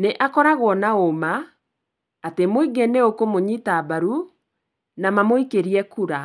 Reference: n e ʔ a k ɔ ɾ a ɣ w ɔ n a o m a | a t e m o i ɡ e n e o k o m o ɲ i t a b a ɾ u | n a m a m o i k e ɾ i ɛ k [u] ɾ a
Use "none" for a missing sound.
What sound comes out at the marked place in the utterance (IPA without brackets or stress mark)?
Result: u